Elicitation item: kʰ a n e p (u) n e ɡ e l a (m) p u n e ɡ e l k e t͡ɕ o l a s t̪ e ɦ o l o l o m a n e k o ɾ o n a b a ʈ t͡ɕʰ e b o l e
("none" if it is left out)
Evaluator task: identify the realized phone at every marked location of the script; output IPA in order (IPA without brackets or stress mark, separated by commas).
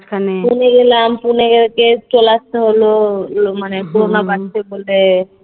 u, m